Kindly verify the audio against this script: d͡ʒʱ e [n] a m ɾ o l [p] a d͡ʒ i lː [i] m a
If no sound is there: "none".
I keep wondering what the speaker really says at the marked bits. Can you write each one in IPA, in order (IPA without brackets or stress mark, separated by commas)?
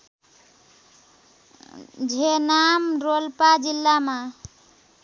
n, p, a